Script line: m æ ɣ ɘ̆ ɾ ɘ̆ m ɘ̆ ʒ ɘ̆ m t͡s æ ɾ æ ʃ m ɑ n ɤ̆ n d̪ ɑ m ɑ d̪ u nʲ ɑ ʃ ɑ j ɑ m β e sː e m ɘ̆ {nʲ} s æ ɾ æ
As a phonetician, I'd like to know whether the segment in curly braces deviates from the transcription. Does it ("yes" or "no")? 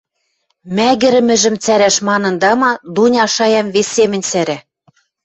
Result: no